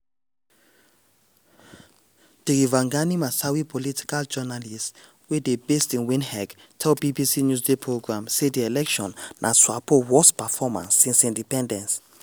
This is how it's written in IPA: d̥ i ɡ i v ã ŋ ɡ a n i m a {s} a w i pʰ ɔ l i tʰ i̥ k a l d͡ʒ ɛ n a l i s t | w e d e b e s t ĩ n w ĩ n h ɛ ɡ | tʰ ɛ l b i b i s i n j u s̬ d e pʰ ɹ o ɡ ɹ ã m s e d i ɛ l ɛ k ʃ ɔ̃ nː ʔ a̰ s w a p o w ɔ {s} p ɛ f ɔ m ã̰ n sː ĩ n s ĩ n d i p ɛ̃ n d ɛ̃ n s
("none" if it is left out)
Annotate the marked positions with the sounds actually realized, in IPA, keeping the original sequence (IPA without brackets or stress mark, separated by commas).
s, s